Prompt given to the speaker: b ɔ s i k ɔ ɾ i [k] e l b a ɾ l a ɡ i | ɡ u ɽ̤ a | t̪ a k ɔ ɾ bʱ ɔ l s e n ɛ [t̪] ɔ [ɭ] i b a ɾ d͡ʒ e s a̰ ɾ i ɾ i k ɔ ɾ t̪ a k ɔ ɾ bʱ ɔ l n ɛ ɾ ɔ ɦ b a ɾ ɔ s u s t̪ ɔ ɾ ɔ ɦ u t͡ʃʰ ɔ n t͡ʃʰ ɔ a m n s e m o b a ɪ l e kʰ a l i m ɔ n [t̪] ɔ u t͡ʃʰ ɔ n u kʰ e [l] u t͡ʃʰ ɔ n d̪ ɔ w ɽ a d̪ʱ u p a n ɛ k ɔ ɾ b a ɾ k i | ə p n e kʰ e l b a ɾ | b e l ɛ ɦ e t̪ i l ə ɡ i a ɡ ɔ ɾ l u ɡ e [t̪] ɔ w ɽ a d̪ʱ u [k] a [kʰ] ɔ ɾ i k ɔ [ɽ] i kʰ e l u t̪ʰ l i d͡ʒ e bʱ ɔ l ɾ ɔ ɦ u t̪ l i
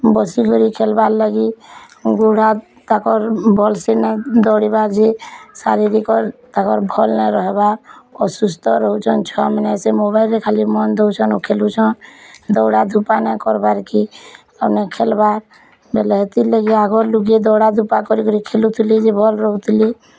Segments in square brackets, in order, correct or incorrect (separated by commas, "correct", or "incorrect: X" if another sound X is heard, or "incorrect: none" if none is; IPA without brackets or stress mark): incorrect: kʰ, incorrect: d̪, incorrect: ɽ, incorrect: d̪, correct, incorrect: d̪, incorrect: p, incorrect: k, incorrect: ɾ